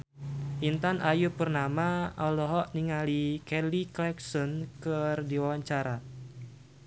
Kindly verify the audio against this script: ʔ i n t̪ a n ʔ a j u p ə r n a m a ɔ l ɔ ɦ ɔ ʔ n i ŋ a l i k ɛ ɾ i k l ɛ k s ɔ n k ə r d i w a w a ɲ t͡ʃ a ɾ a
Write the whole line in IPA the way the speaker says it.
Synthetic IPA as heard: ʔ i n t̪ a n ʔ a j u p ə r n a m a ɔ l ɔ ɦ ɔ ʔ n i ŋ a l i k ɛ l i k l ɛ k s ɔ n k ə r d i w a w a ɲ t͡ʃ a ɾ a